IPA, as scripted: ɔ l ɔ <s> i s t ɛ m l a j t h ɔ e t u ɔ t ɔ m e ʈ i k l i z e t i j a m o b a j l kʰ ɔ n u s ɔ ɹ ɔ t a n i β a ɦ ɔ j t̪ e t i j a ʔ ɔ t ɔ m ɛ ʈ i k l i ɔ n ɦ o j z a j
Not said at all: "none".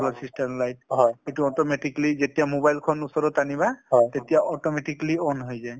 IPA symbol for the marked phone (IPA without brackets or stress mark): s